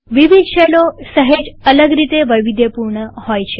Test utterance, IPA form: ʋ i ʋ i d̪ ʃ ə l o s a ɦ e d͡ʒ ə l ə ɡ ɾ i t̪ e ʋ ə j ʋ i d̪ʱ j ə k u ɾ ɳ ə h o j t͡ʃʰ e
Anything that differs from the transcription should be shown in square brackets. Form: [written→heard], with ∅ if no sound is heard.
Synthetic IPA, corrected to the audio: ʋ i ʋ i d̪ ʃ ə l o s [a→ə] ɦ e d͡ʒ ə l ə ɡ ɾ i t̪ e ʋ ə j ʋ i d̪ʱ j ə [k→p] u ɾ ɳ ə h o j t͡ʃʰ e